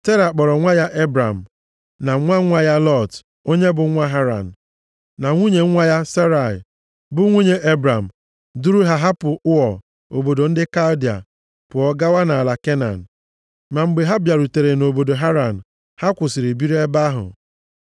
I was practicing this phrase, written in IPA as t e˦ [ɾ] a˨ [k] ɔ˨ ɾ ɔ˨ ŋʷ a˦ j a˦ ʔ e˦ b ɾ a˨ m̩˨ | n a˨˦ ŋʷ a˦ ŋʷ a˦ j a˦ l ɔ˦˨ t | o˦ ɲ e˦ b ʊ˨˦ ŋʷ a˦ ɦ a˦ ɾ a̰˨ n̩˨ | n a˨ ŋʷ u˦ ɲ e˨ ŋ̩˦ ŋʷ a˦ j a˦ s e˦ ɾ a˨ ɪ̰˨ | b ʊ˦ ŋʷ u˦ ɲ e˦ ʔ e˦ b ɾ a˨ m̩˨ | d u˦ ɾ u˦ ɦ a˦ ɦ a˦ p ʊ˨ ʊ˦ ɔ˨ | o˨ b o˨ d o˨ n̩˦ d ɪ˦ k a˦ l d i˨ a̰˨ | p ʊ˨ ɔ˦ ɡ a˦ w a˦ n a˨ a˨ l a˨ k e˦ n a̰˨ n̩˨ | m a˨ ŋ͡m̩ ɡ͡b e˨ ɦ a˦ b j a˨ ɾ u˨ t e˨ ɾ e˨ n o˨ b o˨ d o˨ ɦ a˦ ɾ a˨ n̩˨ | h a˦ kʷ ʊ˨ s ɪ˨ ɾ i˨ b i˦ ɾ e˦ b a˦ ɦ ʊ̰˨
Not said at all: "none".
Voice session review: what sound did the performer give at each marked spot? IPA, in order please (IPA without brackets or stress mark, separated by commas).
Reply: ɾ, k͡p